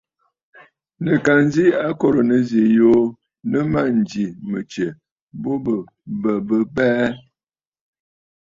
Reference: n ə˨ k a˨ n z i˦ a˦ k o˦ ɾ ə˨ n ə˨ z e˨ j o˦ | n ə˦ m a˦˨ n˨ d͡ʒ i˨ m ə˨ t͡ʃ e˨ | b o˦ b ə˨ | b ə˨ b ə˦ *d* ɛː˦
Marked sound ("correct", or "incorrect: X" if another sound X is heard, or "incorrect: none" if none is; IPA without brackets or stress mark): incorrect: b